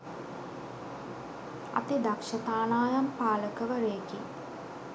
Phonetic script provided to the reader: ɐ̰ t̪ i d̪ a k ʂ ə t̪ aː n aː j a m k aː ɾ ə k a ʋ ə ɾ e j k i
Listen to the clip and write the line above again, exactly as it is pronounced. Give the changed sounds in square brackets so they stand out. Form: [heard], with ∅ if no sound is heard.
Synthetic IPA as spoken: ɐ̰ t̪ i d̪ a k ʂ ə t̪ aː n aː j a m [p] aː [l] ə k [ə] ʋ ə ɾ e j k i